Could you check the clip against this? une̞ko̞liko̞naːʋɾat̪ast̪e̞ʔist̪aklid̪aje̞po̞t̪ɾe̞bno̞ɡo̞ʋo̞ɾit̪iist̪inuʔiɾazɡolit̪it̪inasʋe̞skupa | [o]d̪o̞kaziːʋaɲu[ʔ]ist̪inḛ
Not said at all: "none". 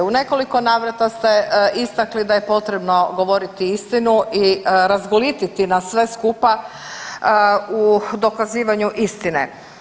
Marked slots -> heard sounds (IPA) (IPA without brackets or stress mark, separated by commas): u, ʔ